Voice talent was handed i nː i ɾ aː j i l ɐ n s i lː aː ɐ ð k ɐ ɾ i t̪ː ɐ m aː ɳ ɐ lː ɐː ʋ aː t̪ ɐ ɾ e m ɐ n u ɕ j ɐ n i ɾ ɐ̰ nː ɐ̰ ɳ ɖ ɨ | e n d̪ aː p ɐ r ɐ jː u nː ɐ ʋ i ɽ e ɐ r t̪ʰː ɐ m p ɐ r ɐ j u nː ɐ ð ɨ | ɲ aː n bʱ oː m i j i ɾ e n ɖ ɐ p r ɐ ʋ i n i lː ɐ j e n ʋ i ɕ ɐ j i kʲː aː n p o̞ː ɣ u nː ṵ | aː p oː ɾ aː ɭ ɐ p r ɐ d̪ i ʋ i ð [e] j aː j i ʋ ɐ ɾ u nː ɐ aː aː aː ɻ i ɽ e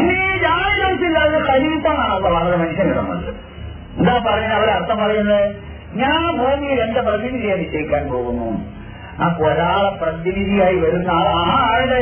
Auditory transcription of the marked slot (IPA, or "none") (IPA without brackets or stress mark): i